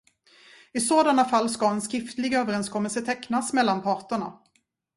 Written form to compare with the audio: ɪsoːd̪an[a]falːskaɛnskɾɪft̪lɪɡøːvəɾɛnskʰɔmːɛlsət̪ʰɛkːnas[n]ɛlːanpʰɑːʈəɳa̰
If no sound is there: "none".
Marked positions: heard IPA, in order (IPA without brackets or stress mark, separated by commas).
a, m